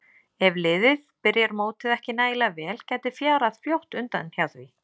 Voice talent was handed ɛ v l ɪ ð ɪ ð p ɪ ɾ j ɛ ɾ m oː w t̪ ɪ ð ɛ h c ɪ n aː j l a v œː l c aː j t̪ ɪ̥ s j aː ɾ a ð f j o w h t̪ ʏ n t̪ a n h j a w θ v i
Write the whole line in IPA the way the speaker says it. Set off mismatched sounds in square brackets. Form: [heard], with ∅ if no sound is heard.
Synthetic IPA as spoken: ɛ v l ɪ ð ɪ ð p ɪ ɾ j ɛ ɾ m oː w t̪ ɪ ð ɛ h c ɪ n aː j l a v [ɛː] l c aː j t̪ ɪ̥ [f] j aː ɾ a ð f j o w h t̪ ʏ n t̪ a n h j a w θ v i